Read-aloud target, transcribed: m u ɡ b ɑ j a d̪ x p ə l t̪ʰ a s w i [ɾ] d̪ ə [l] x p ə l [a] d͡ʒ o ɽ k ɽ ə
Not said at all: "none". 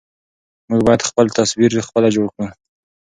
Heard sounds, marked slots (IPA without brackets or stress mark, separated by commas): ɾ, none, a